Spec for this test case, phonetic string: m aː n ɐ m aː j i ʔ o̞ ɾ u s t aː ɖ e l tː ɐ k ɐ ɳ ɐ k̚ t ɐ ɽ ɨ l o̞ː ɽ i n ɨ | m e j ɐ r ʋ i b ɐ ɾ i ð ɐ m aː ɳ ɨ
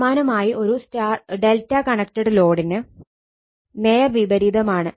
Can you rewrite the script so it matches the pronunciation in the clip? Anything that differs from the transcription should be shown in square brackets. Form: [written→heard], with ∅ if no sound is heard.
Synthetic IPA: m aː n ɐ m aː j i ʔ o̞ ɾ u s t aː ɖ e l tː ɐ k ɐ ɳ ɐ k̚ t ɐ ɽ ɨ l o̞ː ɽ i n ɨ | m e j ɐ r ʋ i b ɐ ɾ i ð ɐ m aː ɳ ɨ